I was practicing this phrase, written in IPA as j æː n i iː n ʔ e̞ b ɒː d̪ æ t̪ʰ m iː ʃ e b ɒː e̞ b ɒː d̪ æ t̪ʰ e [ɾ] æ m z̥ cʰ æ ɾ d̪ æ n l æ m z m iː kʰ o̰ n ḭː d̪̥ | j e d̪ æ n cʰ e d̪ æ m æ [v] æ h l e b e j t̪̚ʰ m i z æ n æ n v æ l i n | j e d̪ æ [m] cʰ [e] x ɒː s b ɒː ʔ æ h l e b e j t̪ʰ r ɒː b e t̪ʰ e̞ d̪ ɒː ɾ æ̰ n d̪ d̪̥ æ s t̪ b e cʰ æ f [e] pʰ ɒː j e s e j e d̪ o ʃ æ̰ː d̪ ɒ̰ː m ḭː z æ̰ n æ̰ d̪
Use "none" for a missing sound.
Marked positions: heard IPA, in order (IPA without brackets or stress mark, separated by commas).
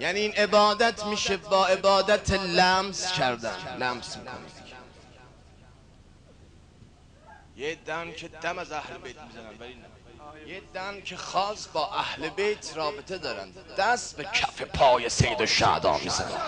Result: l, z, n, e, e